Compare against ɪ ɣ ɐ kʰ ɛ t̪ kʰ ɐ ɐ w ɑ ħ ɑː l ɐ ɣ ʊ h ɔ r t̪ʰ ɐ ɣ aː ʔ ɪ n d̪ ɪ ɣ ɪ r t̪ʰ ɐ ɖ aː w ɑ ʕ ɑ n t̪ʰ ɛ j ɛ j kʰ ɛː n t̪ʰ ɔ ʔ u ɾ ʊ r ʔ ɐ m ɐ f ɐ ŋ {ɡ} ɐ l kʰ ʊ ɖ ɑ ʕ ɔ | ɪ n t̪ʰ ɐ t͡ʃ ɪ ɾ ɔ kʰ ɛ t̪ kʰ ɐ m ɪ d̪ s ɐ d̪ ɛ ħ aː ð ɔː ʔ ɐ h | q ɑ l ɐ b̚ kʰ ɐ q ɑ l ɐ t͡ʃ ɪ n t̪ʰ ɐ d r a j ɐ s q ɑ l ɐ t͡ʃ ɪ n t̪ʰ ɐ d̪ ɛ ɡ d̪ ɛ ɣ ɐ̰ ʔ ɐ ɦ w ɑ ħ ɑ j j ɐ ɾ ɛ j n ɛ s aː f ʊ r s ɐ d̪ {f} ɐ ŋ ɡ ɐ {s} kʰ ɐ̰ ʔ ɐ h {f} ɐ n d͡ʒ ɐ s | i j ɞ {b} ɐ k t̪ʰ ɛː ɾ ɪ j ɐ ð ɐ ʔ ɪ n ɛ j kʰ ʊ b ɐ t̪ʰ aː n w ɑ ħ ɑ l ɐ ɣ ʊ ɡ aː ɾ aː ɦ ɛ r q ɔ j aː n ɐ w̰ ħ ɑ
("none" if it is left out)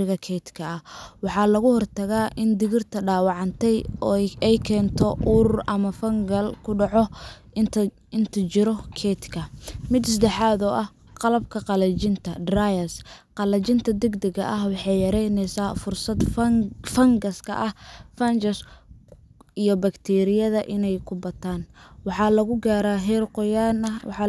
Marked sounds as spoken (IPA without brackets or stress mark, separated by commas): ɡ, f, s, f, b